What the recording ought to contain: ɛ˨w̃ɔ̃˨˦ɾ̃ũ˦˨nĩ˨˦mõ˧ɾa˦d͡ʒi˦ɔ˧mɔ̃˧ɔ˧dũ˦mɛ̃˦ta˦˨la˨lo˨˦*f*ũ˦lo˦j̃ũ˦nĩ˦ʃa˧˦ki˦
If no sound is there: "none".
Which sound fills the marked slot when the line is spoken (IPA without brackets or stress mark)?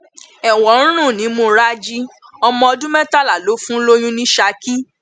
f